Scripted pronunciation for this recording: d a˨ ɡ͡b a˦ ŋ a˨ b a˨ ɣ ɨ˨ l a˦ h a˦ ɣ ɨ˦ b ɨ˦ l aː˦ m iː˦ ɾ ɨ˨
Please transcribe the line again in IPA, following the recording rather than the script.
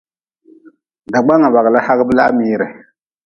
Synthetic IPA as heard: d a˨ ɡ͡b a˦ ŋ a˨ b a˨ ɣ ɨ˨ l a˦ h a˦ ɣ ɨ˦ b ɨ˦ l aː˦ m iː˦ ɾ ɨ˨